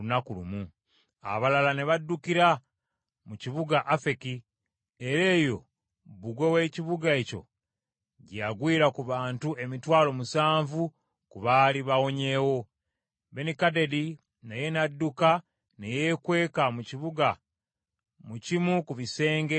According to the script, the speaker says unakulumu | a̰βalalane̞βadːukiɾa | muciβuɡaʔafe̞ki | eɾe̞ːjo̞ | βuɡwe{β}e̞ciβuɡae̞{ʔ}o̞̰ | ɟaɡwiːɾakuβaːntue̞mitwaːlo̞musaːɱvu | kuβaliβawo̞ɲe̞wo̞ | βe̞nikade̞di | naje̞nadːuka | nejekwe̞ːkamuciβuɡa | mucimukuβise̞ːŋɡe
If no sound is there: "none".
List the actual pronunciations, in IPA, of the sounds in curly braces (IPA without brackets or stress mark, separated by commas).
w, c